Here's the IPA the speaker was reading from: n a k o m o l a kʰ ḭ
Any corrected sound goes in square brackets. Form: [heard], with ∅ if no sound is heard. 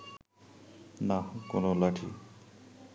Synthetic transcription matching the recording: n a k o [n] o l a [ʈʰ] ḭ